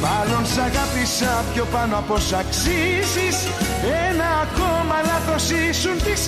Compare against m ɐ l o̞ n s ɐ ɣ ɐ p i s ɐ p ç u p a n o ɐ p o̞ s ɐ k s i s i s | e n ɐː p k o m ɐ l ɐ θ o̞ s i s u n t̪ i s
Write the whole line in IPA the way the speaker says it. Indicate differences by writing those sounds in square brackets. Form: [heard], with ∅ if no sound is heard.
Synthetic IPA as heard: m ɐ l o̞ n s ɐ ɣ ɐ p i s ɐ p ç [o] p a n o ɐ p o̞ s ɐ k s i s i s | e n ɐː [∅] k o m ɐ l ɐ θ o̞ s i s u n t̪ i s